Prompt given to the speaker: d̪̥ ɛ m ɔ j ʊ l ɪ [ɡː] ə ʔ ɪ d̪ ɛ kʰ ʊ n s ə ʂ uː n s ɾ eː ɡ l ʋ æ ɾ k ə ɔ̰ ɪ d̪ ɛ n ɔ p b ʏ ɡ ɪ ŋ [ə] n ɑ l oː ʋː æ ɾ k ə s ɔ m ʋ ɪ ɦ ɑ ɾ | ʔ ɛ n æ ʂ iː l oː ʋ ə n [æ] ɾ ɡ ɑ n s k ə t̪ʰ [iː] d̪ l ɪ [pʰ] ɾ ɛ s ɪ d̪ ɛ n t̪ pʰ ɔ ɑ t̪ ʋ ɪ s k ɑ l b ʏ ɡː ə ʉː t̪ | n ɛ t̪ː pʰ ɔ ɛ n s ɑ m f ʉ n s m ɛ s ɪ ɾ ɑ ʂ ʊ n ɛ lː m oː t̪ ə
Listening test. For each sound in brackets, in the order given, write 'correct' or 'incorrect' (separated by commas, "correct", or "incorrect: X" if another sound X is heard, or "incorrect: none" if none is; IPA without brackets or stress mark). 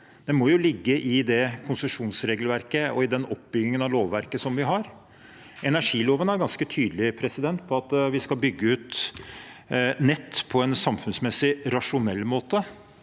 correct, correct, correct, incorrect: yː, correct